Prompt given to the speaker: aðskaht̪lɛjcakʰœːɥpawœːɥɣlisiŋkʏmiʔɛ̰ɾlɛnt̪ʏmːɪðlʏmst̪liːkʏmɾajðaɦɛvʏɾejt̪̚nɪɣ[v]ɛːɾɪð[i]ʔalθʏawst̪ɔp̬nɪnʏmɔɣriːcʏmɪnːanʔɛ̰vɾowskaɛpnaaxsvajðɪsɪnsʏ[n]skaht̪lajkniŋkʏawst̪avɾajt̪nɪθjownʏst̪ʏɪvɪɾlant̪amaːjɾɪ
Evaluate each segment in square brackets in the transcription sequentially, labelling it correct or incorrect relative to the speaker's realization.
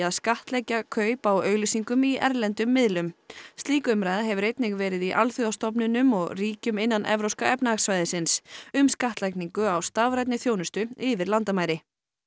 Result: correct, correct, incorrect

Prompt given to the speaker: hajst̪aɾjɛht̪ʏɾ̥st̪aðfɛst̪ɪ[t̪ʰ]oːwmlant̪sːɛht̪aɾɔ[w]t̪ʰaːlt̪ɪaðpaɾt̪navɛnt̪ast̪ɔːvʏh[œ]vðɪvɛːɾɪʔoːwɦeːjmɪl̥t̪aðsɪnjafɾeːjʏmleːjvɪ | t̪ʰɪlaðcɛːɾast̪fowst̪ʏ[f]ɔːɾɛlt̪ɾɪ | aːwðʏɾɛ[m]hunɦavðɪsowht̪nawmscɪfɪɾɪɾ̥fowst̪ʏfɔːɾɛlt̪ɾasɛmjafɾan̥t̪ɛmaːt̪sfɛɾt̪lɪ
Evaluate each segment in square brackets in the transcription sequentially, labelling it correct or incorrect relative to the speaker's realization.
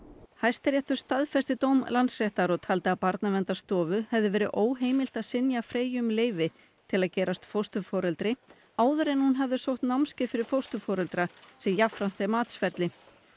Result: incorrect, incorrect, incorrect, correct, incorrect

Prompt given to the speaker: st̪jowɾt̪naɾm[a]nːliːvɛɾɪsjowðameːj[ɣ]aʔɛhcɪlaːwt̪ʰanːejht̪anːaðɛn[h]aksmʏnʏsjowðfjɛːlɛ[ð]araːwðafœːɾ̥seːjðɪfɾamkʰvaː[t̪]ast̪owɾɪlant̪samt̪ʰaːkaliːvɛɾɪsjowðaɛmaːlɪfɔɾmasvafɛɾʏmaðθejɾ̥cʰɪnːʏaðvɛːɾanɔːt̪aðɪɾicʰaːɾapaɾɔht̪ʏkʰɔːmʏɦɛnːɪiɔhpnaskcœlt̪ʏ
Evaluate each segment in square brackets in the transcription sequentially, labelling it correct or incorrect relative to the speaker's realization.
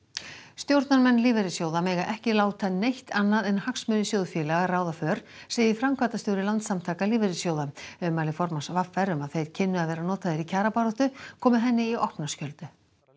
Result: incorrect, correct, correct, incorrect, correct

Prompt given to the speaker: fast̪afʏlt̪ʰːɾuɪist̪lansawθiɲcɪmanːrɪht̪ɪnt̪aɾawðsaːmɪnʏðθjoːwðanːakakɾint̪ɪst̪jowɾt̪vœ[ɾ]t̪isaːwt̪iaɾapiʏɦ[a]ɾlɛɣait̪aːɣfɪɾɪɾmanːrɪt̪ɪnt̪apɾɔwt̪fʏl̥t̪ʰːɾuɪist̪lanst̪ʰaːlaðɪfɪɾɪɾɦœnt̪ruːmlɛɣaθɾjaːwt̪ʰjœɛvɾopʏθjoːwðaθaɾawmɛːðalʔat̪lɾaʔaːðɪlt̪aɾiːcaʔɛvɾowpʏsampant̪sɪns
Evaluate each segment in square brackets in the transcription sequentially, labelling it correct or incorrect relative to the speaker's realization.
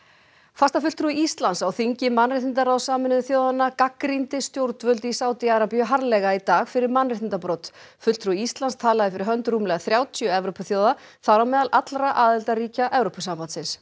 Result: incorrect, correct

